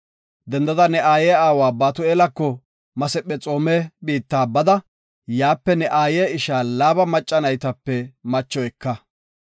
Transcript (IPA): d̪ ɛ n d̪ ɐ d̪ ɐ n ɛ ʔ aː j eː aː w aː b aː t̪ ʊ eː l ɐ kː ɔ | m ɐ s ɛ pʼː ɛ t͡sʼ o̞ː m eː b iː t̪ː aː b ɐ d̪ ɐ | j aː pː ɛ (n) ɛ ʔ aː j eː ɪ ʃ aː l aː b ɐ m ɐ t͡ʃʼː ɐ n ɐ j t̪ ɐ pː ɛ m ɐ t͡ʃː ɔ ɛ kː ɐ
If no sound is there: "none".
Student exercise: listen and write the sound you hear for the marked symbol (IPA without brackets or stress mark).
n